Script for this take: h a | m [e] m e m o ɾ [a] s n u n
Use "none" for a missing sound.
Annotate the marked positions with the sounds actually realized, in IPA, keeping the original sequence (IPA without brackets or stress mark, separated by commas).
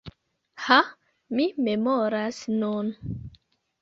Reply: i, a